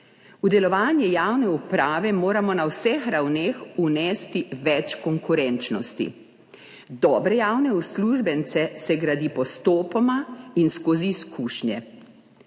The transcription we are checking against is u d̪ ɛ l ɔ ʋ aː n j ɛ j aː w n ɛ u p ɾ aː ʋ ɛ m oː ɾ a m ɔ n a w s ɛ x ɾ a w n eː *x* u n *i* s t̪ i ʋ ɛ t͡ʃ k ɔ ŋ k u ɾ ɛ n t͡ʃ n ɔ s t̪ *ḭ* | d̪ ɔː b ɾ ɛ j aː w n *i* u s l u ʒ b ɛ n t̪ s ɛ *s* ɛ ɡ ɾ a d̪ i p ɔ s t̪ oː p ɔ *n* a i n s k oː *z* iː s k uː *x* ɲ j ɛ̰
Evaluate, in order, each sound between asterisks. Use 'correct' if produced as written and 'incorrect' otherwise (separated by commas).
correct, incorrect, correct, incorrect, correct, incorrect, correct, incorrect